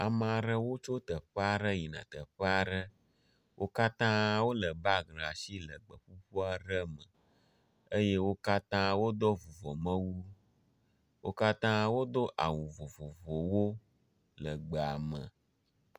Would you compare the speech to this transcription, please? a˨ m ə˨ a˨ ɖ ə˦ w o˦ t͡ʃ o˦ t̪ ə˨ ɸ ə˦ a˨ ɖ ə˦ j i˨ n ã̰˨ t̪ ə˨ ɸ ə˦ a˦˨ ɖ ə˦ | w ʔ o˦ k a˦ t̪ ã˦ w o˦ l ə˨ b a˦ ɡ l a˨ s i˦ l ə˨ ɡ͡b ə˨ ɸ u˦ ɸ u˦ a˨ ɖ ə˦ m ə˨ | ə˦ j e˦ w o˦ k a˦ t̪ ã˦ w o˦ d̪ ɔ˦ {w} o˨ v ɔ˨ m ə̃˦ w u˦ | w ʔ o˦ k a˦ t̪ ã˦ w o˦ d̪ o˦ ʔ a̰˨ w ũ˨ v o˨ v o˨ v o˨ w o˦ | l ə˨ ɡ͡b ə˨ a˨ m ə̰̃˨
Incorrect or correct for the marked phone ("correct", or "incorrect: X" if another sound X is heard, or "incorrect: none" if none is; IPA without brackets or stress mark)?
incorrect: v